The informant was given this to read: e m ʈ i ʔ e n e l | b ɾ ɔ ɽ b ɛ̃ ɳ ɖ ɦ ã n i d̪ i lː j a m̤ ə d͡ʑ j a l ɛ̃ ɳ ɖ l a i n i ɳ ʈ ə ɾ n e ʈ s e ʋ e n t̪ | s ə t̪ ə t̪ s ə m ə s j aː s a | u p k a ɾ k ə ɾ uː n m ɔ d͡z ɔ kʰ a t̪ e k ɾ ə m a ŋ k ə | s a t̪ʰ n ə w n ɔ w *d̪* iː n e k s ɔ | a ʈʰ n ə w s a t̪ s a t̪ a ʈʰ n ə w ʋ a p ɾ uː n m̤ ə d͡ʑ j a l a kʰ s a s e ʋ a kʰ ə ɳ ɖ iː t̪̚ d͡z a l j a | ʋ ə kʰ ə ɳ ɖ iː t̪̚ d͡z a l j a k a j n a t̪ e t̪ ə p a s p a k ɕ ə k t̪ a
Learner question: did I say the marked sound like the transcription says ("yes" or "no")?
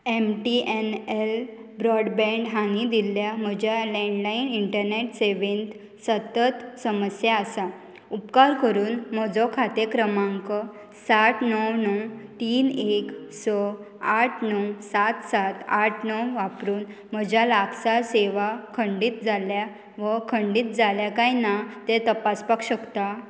no